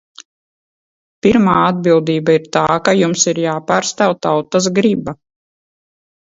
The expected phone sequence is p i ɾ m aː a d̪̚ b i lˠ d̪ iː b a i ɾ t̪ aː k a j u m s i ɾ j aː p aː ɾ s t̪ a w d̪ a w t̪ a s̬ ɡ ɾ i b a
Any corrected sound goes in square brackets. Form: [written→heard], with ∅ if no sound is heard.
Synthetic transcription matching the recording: p i ɾ m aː a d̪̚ b i lˠ d̪ iː b a i ɾ t̪ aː k a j u m s i ɾ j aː p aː ɾ s t̪ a w [d̪→t̪] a w t̪ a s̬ ɡ ɾ i b a